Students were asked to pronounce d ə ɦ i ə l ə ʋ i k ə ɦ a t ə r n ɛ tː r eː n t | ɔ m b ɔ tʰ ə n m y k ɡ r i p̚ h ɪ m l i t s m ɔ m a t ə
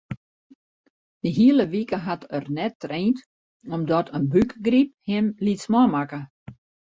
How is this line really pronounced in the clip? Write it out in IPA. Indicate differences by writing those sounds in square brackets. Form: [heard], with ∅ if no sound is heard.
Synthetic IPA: d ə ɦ i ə l ə ʋ i k ə ɦ a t ə r n ɛ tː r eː n t | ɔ m [d] ɔ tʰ ə n [b] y k ɡ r i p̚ h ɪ m l i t s m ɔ m a [k] ə